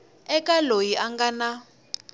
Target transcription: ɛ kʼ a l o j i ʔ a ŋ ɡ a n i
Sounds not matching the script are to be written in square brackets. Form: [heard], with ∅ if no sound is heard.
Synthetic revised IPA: ɛ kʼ a l o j i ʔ a ŋ ɡ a n [a]